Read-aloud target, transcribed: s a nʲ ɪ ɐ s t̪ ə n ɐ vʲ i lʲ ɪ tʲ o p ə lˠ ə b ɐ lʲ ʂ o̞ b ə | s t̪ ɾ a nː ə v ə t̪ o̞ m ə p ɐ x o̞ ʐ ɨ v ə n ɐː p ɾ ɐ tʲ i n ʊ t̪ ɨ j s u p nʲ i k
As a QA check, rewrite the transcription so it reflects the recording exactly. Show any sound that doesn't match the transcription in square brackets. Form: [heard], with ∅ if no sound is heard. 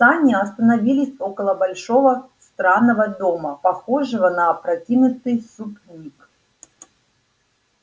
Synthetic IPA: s a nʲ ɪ ɐ s t̪ ə n ɐ vʲ i lʲ ɪ [sʲ] o [k] ə lˠ ə b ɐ lʲ ʂ o̞ [v] ə | s t̪ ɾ a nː ə v ə [d̪] o̞ m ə p ɐ x o̞ ʐ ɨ v ə n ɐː p ɾ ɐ tʲ i n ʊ t̪ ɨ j s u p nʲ i k